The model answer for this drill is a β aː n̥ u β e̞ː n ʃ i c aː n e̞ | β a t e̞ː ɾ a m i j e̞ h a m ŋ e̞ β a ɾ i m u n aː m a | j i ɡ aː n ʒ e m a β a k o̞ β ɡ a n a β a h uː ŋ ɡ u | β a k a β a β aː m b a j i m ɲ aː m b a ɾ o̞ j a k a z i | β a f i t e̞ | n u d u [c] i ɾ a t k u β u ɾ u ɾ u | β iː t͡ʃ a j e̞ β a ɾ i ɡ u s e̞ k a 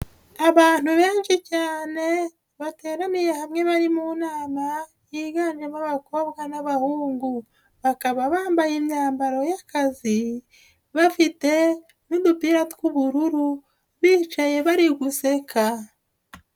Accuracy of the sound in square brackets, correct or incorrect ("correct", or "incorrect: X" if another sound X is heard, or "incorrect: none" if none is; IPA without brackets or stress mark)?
incorrect: p